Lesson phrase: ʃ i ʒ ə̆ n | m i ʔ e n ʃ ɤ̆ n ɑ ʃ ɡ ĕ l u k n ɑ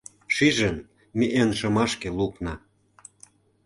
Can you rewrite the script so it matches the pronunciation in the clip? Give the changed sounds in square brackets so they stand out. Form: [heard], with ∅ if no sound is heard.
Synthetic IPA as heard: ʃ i ʒ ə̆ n | m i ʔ e n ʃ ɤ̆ [m] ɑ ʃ [k] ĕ l u k n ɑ